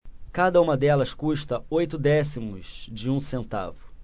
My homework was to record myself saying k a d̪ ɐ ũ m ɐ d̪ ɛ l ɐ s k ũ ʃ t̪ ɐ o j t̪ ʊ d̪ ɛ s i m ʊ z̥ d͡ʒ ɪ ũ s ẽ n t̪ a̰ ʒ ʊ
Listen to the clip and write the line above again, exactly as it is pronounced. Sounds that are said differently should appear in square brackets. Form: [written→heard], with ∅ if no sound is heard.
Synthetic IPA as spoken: k a d̪ ɐ ũ m ɐ d̪ ɛ l ɐ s k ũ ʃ t̪ ɐ o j t̪ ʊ d̪ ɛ s i m ʊ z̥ d͡ʒ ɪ ũ s ẽ n t̪ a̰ [ʒ→v] ʊ